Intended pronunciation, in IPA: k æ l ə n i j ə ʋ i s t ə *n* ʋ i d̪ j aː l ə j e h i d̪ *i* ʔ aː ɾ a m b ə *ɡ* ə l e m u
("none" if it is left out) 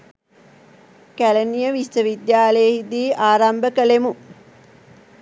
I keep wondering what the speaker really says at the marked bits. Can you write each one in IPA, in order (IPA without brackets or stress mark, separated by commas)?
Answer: none, iː, k